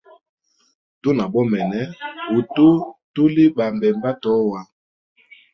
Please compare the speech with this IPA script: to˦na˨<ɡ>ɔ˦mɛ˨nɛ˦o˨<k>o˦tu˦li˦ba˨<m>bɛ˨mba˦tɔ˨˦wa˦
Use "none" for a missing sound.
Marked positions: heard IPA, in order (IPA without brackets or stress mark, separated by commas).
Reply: b, t, m